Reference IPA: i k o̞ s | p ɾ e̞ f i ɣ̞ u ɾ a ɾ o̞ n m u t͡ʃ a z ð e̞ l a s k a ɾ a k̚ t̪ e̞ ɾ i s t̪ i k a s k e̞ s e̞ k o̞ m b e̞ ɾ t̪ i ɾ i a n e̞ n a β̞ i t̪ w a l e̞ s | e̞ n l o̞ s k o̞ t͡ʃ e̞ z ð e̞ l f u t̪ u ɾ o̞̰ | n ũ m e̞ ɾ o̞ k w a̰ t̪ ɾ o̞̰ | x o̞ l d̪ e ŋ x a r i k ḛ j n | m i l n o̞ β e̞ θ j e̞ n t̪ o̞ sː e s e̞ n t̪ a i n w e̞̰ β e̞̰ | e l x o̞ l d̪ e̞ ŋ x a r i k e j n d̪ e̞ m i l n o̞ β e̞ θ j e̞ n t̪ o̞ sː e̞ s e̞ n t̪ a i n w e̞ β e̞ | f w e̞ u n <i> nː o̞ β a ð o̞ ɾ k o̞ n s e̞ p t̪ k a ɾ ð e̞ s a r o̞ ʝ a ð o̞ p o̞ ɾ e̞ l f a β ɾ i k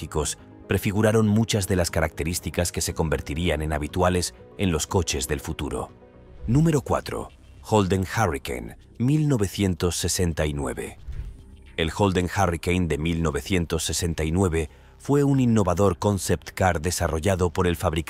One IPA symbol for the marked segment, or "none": i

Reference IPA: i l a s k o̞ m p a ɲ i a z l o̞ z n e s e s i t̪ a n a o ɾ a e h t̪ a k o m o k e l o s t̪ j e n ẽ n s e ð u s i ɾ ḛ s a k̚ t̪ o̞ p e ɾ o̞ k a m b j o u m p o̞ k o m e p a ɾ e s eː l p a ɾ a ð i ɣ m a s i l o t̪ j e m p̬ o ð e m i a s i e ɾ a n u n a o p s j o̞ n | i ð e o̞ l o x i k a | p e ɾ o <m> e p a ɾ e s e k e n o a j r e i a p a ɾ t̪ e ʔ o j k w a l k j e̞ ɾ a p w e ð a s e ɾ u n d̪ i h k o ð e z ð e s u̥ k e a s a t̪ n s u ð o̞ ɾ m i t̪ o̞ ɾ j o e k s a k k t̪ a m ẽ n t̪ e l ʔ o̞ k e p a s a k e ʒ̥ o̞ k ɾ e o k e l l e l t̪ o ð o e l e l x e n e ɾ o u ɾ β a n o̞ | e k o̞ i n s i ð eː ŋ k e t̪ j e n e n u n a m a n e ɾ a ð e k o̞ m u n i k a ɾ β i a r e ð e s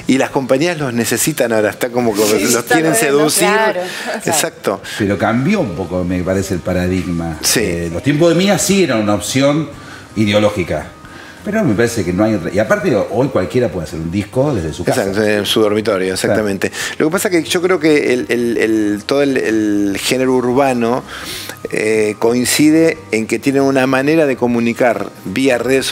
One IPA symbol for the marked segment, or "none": m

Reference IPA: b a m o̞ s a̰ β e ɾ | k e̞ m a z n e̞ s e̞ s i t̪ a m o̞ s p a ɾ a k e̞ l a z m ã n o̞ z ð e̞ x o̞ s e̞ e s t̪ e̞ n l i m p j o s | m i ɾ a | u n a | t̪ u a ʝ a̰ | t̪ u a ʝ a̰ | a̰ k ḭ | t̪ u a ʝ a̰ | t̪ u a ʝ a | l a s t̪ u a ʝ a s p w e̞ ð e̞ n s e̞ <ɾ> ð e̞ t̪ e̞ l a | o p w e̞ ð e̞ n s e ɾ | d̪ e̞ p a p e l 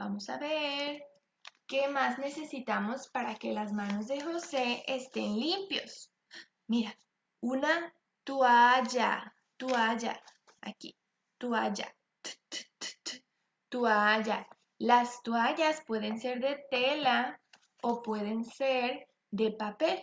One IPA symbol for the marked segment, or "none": ɾ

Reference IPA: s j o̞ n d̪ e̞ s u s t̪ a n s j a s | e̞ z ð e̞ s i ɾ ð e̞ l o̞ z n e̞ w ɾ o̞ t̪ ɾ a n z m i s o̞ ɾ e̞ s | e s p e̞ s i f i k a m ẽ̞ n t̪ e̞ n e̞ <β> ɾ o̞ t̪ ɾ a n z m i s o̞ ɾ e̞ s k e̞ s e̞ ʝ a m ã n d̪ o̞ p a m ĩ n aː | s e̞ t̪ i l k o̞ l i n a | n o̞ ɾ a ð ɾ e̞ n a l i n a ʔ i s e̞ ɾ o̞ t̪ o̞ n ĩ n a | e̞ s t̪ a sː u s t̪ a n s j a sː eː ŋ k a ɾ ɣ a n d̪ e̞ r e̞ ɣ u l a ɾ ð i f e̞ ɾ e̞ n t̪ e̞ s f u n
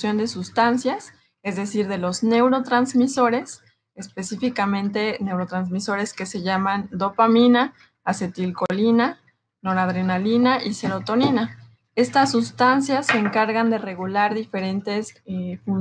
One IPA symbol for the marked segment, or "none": w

